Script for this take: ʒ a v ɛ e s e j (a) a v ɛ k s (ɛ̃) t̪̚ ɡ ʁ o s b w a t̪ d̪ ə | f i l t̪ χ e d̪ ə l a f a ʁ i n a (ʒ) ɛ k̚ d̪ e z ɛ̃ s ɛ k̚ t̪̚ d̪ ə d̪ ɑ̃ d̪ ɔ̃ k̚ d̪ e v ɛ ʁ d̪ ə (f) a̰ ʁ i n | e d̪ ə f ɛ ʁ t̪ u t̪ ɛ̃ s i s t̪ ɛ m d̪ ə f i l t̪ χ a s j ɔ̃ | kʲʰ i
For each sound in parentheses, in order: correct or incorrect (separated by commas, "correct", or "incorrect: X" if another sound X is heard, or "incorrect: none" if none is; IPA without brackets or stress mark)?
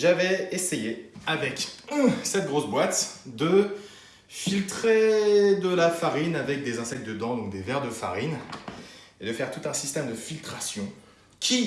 incorrect: e, incorrect: ɛ, incorrect: v, correct